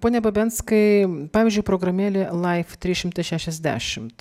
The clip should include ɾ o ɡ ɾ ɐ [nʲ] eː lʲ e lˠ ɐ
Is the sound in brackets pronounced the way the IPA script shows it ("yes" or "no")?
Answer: no